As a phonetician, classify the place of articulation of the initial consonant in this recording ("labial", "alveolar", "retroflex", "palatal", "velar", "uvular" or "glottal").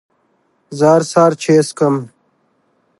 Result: alveolar